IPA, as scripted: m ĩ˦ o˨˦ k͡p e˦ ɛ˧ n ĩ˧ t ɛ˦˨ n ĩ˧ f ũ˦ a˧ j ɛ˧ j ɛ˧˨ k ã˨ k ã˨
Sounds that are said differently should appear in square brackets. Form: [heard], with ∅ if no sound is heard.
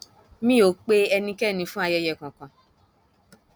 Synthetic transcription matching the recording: m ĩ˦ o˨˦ k͡p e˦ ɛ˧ n ĩ˧ [k] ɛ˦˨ n ĩ˧ f ũ˦ a˧ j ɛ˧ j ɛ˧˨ k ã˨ k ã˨